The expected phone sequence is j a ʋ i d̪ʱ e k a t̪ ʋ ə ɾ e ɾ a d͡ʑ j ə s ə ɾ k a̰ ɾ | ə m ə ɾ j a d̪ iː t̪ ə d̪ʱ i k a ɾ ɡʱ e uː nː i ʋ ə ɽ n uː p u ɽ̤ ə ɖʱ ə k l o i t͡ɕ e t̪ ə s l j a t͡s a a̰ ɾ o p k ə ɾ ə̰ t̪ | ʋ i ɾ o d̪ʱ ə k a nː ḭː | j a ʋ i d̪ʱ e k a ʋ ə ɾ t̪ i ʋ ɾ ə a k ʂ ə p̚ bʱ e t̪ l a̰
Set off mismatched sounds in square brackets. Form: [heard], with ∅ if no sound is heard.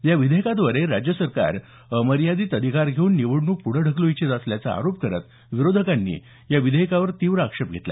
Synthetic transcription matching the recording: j a ʋ i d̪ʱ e k a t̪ ʋ ə ɾ e ɾ a d͡ʑ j ə s ə ɾ k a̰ ɾ | ə m ə ɾ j a d̪ iː t̪ ə d̪ʱ i k a ɾ ɡʱ e uː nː i ʋ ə ɽ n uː p u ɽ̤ ə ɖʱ ə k l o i t͡ɕ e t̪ ə s l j a t͡s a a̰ ɾ o p k ə ɾ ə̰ t̪ | ʋ i ɾ o d̪ʱ ə k a nː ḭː | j a ʋ i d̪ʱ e k a ʋ ə ɾ t̪ i ʋ ɾ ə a k ʂ ə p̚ [ɡʱ] e t̪ l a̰